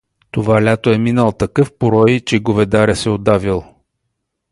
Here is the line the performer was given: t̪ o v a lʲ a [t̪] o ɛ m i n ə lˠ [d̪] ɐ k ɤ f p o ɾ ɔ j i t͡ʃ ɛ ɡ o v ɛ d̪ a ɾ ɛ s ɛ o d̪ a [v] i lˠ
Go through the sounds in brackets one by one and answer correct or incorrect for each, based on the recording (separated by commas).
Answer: correct, incorrect, correct